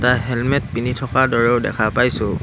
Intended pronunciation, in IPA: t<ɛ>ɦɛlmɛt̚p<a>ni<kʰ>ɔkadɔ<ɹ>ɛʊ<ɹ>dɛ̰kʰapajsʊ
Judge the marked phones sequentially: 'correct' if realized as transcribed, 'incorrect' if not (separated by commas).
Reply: incorrect, incorrect, incorrect, correct, incorrect